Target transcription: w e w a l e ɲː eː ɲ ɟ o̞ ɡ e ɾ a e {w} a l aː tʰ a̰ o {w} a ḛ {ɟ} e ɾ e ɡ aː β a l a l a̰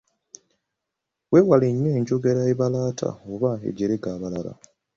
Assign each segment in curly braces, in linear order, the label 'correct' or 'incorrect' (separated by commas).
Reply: incorrect, incorrect, correct